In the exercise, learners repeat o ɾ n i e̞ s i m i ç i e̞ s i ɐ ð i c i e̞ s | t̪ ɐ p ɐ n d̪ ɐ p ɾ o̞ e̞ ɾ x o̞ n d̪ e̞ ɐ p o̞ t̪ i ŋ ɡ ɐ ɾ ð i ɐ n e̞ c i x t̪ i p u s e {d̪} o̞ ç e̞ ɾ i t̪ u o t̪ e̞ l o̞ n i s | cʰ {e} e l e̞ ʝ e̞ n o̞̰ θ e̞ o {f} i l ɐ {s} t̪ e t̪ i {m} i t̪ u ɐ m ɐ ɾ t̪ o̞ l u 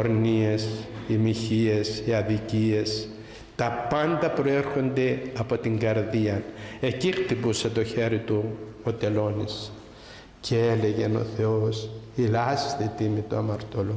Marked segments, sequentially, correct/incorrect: incorrect, correct, incorrect, correct, correct

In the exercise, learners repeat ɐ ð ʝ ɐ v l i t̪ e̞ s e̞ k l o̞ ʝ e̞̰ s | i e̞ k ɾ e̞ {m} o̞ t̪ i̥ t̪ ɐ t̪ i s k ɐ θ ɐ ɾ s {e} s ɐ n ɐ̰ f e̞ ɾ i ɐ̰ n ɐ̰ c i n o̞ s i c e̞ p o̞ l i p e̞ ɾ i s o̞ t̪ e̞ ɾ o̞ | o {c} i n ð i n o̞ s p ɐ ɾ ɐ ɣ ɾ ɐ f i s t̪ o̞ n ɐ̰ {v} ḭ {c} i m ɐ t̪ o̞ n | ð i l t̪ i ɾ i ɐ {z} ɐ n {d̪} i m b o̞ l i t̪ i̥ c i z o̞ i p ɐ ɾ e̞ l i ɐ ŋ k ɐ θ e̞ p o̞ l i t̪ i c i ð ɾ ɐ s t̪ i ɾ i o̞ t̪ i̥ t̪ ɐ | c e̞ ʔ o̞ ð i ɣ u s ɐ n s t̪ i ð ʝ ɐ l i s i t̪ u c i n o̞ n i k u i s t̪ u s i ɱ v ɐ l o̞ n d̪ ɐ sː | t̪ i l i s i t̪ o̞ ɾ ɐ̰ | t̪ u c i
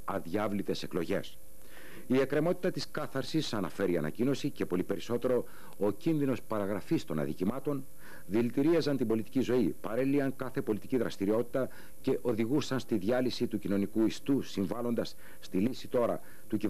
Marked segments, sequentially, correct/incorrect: correct, incorrect, correct, incorrect, correct, correct, incorrect

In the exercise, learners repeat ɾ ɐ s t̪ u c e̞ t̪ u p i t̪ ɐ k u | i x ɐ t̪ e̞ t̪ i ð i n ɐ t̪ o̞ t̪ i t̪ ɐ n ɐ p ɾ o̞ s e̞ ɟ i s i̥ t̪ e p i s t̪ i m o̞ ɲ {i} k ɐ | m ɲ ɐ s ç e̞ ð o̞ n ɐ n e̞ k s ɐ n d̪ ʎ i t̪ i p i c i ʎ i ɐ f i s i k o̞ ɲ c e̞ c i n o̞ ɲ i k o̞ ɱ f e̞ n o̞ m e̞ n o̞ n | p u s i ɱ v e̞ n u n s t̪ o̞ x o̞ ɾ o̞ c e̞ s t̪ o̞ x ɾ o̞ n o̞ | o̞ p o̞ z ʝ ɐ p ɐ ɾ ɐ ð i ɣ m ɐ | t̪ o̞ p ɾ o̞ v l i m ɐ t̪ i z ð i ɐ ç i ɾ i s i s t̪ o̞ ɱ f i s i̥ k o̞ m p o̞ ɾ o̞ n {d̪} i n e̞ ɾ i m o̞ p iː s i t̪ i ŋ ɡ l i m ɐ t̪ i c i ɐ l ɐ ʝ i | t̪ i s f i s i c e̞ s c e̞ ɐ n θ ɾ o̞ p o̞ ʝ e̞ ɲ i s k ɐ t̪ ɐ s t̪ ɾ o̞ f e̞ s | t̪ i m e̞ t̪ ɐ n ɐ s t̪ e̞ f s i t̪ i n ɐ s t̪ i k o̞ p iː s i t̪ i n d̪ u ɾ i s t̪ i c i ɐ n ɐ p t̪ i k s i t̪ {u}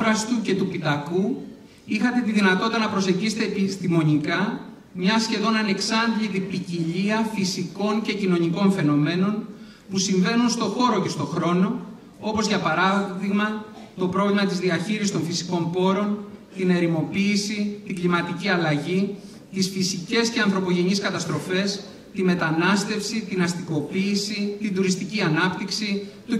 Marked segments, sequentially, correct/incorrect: correct, incorrect, correct

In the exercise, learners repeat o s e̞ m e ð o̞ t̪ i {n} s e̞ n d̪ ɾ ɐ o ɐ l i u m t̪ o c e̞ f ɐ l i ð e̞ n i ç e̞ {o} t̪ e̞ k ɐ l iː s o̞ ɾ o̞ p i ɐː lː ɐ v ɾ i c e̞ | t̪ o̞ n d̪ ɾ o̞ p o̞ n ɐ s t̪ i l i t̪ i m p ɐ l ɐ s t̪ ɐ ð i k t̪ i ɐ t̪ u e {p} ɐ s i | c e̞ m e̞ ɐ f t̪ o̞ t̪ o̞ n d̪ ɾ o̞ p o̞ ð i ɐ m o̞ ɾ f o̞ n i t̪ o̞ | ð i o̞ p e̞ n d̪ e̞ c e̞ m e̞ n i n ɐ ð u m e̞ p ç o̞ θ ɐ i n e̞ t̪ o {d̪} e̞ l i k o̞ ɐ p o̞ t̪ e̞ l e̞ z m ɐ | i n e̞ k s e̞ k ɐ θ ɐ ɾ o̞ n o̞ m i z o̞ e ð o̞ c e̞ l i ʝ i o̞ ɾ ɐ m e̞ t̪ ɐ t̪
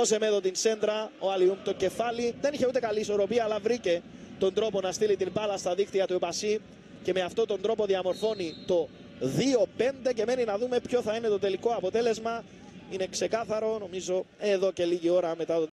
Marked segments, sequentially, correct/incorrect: correct, incorrect, correct, incorrect

